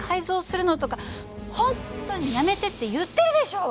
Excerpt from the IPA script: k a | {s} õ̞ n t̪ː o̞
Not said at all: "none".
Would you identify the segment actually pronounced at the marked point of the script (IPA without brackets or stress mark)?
h